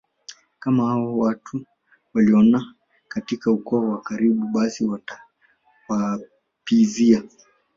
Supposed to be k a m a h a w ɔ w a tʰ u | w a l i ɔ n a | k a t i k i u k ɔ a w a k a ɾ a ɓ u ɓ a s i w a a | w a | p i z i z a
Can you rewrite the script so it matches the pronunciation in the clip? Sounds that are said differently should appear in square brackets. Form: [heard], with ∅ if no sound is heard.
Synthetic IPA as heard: k a m a h a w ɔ w a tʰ u | w a l i ɔ n a | k a t i k [a] u k ɔ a w a k a ɾ [i] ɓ u ɓ a s i w a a | w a | p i z i [∅] a